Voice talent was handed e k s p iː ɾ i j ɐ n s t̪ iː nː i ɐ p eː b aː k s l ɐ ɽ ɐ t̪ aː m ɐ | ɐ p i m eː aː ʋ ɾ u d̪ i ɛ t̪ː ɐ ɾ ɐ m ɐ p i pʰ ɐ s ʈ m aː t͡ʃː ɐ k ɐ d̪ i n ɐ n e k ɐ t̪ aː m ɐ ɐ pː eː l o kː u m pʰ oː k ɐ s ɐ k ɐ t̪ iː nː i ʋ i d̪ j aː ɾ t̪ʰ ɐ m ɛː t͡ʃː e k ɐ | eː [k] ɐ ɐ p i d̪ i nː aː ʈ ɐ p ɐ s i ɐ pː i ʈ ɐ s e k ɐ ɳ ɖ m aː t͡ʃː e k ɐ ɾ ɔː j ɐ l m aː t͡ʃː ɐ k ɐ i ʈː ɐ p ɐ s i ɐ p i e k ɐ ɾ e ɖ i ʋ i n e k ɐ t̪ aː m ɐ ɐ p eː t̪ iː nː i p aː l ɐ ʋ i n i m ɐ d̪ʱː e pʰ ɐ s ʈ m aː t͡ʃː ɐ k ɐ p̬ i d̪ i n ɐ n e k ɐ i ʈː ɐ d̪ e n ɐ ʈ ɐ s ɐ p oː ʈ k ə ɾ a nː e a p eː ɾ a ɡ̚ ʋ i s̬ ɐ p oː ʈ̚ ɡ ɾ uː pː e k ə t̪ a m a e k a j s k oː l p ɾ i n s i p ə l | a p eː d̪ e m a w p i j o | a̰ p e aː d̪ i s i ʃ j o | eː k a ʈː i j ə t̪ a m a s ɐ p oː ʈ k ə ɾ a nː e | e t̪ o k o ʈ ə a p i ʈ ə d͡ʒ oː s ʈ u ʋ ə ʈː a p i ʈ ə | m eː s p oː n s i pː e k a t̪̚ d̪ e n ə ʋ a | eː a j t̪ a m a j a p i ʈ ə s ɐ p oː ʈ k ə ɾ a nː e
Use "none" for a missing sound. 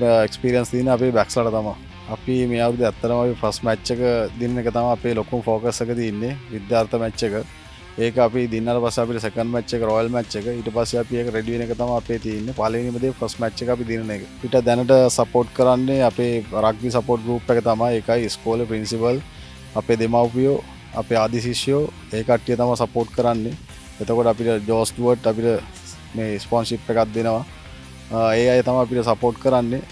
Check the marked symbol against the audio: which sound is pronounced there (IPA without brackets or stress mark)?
k